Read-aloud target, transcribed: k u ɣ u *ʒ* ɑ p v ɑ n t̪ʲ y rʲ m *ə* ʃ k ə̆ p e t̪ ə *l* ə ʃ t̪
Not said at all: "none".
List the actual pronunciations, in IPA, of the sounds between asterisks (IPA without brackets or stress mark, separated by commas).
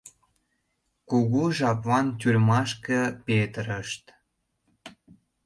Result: ʒ, ɑ, ɾ